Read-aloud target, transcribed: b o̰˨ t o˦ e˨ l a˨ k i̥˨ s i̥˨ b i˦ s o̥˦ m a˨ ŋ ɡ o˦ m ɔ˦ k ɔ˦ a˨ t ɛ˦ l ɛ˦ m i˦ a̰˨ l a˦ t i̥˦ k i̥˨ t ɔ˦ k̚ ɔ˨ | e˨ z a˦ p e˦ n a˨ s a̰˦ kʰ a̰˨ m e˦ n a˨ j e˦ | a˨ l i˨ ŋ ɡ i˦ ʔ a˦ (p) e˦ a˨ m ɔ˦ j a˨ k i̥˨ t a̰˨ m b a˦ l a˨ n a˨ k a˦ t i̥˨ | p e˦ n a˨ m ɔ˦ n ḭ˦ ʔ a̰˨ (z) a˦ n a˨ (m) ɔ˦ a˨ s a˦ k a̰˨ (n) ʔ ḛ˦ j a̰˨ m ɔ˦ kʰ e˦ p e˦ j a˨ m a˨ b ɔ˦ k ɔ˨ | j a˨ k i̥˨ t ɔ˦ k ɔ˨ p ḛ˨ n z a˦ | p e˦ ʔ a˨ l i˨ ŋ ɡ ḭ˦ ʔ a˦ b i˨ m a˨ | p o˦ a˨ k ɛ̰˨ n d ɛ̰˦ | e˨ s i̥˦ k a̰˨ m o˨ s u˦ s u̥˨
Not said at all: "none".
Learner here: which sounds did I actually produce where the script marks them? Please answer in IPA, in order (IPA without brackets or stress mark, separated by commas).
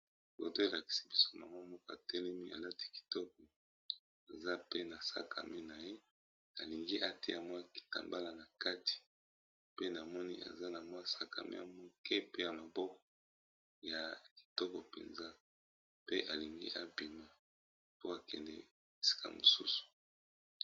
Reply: t, z, m, m